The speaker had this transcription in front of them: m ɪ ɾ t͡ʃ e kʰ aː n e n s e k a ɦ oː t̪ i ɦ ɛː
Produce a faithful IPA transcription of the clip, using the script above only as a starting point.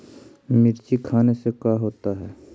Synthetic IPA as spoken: m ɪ ɾ t͡ʃ i kʰ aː n e s e k a ɦ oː t̪ a ɦ ɛː